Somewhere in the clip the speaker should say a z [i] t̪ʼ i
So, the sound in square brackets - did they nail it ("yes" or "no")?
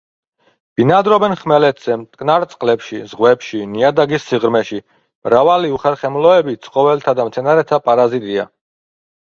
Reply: yes